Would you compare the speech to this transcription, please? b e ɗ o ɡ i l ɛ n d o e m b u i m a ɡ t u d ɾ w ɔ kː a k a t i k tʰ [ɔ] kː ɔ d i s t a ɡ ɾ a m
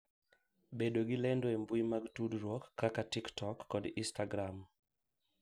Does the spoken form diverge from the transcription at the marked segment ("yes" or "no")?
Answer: no